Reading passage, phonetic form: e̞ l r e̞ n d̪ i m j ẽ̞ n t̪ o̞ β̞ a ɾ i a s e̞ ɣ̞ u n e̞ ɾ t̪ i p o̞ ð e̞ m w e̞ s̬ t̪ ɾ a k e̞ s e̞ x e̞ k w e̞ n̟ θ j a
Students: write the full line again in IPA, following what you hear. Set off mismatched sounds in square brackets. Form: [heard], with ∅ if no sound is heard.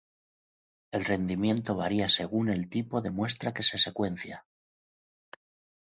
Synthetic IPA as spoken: e̞ l r e̞ n d̪ i m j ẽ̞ n t̪ o̞ β̞ a ɾ i a s e̞ ɣ̞ u n e̞ [l] t̪ i p o̞ ð e̞ m w e̞ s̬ t̪ ɾ a k e̞ s e̞ [s] e̞ k w e̞ n̟ θ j a